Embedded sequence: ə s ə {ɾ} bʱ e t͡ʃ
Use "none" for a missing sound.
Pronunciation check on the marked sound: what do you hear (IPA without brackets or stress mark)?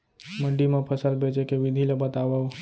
l